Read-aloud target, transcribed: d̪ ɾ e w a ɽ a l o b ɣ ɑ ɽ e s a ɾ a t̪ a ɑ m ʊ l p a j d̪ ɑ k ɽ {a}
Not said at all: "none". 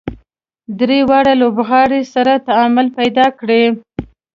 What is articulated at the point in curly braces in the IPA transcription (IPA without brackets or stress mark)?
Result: e